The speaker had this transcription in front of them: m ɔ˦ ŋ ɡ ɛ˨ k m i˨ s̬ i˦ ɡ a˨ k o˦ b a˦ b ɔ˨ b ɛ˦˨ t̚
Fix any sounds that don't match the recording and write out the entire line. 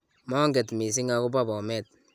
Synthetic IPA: m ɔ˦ ŋ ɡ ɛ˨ t m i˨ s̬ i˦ ŋ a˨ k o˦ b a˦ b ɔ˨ m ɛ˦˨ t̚